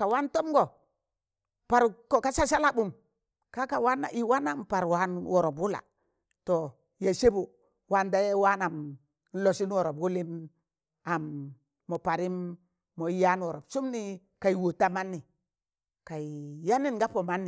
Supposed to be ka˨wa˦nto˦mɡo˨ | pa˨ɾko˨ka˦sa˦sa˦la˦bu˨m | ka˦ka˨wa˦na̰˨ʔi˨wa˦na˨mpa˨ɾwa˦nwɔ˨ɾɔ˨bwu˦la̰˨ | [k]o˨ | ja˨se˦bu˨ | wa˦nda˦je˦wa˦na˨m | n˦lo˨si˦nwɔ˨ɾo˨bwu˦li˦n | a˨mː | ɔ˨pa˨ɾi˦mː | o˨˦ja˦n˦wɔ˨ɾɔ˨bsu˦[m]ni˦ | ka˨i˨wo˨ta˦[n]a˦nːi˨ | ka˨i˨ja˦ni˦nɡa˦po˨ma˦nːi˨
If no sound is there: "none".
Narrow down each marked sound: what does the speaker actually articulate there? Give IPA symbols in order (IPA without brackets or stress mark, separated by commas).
t, m, m